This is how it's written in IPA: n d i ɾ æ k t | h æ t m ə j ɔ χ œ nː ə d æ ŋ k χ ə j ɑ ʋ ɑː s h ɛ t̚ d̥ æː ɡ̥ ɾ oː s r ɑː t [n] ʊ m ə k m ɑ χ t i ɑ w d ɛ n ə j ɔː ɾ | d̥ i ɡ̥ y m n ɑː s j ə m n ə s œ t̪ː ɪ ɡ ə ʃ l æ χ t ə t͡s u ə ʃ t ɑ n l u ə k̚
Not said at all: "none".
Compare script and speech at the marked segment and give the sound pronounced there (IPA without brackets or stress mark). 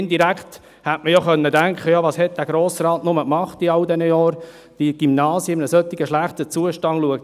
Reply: n